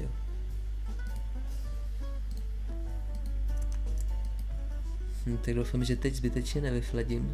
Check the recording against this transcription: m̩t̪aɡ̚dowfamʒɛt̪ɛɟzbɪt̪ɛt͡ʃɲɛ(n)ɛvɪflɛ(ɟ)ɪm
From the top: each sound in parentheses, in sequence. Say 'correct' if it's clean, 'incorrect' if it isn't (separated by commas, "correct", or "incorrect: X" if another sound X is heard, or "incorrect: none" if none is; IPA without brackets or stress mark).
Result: correct, correct